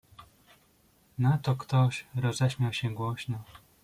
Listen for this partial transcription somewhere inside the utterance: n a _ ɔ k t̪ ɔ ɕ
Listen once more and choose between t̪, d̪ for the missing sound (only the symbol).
t̪